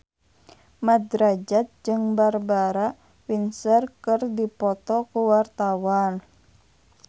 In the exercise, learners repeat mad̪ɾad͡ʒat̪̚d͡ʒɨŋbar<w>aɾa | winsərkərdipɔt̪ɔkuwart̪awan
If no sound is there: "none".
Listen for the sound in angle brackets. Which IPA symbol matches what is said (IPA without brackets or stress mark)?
b